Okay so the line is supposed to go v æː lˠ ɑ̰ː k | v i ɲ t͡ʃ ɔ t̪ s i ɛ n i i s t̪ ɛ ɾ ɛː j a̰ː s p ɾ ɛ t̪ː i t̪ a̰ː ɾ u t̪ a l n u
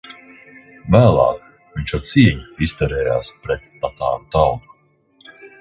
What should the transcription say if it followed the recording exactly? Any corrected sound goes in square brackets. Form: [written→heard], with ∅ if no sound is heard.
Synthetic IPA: v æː lˠ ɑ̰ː k | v i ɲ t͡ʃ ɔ t̪ s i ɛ [n→ɲ] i i s t̪ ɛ ɾ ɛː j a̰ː s p ɾ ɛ t̪ː [i→a] t̪ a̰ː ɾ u t̪ a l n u

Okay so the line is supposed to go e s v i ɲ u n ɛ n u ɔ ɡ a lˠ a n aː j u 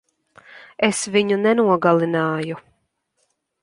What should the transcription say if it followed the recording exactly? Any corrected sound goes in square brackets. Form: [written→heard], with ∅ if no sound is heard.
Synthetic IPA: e s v i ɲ u n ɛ n u ɔ ɡ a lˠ [a→i] n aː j u

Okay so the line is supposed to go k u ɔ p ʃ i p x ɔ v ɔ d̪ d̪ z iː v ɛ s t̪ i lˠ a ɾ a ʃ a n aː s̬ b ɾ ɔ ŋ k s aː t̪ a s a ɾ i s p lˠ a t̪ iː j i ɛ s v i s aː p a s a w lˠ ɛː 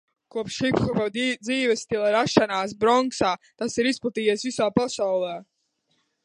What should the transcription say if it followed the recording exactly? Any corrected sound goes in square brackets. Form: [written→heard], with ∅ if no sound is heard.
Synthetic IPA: k u ɔ p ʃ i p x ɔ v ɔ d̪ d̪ z iː v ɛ s t̪ i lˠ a ɾ a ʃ a n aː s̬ b ɾ ɔ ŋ k s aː t̪ a s [a→i] ɾ i s p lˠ a t̪ iː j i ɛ s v i s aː p a s a w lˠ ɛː

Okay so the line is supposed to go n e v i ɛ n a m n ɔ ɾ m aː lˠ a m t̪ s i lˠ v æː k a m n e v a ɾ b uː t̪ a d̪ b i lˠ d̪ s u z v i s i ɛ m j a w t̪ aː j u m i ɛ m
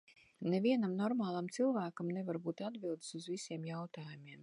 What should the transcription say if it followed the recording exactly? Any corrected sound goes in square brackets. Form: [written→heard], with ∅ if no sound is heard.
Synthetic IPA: n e v i ɛ n a m n ɔ ɾ m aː lˠ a m t̪ s i lˠ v æː k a m n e v a ɾ b uː t̪ a d̪ b i lˠ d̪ s u z v i s i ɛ m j a w t̪ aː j u m i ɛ m

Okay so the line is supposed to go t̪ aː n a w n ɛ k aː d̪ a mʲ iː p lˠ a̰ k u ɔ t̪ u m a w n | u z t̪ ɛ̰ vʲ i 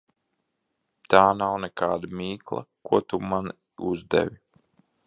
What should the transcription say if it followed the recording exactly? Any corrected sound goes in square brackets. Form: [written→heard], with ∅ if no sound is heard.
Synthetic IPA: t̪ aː n a w n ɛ k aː d̪ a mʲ iː [p→k] lˠ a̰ k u ɔ t̪ u m a [w→∅] n | u z [t̪→d̪] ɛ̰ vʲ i

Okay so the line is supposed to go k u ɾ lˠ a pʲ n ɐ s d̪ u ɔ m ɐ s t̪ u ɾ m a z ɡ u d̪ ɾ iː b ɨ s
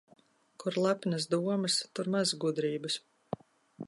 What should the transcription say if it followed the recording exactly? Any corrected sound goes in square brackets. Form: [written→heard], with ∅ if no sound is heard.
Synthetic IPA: k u ɾ lˠ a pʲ n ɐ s d̪ u ɔ m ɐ s t̪ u ɾ m a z ɡ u d̪ ɾ iː b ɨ s

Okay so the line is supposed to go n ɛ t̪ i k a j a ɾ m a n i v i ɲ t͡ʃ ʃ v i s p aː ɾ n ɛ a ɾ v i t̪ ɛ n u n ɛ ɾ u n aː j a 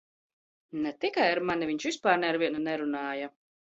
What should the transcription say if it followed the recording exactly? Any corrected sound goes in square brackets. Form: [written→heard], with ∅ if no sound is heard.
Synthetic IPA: n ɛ t̪ i k a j a ɾ m a n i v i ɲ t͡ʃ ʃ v i s p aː ɾ n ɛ a ɾ v i [t̪→∅] ɛ n u n ɛ ɾ u n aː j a

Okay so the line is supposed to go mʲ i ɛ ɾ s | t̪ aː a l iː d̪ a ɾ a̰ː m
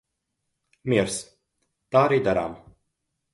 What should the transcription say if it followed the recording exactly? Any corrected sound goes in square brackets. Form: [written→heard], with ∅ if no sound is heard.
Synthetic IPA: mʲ i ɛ ɾ s | t̪ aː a [l→ɾ] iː d̪ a ɾ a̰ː m

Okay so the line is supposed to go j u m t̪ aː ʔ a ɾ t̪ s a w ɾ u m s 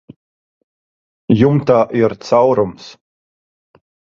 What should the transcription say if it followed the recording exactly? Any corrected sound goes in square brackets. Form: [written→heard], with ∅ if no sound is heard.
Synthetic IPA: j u m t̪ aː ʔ [a→i] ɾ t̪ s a w ɾ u m s

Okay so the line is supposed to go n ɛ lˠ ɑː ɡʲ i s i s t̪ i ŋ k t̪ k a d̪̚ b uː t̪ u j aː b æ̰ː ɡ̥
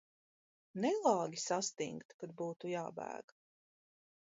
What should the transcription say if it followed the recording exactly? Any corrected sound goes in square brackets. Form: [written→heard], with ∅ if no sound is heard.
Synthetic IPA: n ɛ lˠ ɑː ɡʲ i s [i→a] s t̪ i ŋ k t̪ k a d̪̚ b uː t̪ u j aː b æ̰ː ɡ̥

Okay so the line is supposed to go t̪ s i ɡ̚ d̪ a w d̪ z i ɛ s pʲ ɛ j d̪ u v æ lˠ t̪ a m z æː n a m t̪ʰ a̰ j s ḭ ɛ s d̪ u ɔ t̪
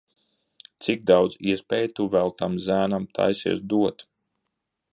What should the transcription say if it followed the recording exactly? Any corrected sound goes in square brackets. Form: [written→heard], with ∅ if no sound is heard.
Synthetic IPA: t̪ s i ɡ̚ d̪ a w d̪ z i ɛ s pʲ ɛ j [d̪→t̪] u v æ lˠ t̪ a m z æː n a m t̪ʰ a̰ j s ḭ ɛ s d̪ u ɔ t̪

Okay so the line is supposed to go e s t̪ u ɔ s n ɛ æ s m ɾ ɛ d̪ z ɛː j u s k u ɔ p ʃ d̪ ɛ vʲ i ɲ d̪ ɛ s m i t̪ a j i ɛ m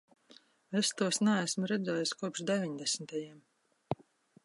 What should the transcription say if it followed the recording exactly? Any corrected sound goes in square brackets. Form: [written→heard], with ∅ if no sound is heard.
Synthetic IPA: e s t̪ u ɔ s n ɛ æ s m ɾ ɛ d̪ z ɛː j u s k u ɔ p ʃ d̪ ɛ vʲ i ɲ d̪ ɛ s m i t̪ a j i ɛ m

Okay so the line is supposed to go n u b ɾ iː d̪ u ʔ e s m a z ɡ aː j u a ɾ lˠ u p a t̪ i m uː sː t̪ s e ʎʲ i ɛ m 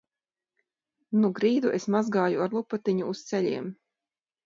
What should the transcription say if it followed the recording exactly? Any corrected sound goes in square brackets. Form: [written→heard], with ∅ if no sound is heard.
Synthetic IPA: n u [b→ɡ] ɾ iː d̪ u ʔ e s m a z ɡ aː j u a ɾ lˠ u p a t̪ i [m→ɲ] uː [sː→s] t̪ s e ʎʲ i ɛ m

